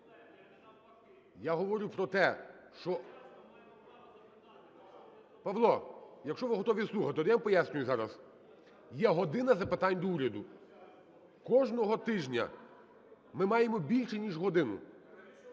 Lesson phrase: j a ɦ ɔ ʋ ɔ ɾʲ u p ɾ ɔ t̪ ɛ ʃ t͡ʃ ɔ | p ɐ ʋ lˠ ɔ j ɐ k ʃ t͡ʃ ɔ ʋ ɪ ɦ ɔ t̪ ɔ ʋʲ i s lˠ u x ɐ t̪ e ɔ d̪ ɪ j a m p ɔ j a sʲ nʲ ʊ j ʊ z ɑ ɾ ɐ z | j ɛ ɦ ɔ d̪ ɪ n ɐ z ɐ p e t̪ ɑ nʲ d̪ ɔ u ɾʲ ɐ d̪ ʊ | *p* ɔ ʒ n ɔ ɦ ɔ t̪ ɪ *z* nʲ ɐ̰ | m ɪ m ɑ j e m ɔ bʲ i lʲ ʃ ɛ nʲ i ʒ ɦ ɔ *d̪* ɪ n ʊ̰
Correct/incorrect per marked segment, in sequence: incorrect: k, incorrect: ʒ, correct

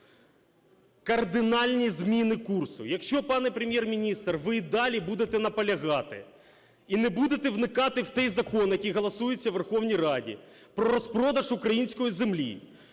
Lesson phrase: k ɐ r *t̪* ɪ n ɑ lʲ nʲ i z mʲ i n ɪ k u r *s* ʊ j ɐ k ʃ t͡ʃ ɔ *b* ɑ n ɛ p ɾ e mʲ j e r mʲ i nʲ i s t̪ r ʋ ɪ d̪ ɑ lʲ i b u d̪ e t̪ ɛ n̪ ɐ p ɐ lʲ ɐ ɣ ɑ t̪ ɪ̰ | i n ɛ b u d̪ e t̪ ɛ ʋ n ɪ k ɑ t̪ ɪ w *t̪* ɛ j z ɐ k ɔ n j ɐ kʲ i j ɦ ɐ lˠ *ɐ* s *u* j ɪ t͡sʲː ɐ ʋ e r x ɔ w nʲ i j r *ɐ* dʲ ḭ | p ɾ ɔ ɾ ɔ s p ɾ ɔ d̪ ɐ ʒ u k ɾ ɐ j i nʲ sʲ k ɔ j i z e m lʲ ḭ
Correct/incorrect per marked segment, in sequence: incorrect: d̪, correct, incorrect: p, correct, correct, correct, incorrect: ɑ

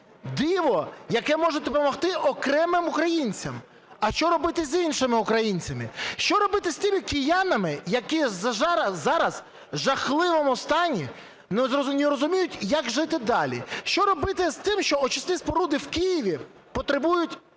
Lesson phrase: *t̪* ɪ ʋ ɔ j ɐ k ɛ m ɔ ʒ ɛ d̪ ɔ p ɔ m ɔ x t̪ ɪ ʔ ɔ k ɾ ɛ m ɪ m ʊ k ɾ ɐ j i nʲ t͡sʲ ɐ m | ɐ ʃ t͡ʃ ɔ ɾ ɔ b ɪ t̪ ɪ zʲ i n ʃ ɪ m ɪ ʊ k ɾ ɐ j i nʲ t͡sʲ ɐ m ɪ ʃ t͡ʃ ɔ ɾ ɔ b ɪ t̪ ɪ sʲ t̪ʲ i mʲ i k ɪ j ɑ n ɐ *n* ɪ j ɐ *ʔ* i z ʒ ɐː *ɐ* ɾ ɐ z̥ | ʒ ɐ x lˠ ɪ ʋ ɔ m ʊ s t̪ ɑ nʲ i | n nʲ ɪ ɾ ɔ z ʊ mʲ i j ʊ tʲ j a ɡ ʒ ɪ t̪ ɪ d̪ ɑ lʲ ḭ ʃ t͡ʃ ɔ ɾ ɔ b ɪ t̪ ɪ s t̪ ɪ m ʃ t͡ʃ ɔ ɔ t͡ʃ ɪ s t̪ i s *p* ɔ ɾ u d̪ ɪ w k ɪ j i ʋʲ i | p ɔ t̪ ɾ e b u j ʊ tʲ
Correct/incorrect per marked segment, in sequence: incorrect: d̪, incorrect: m, incorrect: k, incorrect: ɑ, correct

